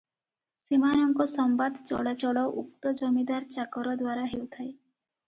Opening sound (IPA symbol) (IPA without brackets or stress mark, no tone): s